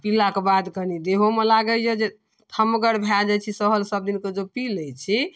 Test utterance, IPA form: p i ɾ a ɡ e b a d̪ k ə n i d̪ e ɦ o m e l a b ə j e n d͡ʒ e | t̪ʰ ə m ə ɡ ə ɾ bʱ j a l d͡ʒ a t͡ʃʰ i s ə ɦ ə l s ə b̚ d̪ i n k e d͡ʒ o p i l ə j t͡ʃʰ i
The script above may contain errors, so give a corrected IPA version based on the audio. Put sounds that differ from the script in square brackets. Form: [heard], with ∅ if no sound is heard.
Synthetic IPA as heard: p i [l] a [k] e b a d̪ k ə n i d̪ e ɦ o m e l a [ɡ] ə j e [∅] d͡ʒ e | t̪ʰ ə m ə ɡ ə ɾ bʱ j a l d͡ʒ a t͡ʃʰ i s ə ɦ ə l s ə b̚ d̪ i n k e d͡ʒ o p i l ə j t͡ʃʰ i